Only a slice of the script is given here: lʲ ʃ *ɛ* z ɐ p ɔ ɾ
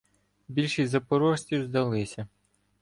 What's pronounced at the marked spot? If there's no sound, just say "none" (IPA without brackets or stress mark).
i